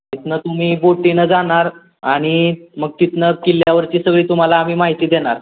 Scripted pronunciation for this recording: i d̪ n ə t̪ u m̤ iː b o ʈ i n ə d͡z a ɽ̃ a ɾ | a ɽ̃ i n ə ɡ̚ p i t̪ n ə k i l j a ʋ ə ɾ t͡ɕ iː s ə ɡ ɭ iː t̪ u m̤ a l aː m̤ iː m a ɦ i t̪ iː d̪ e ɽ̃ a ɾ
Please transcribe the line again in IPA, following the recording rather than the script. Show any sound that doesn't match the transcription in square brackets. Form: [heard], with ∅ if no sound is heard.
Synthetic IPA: i [t̪] n ə t̪ u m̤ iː b o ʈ i n ə d͡z a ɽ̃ a ɾ | a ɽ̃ i [m] ə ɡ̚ [k] i t̪ n ə k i l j a ʋ ə ɾ t͡ɕ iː s ə ɡ ɭ iː t̪ u m̤ a l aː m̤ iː m a ɦ i t̪ iː d̪ e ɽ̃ a ɾ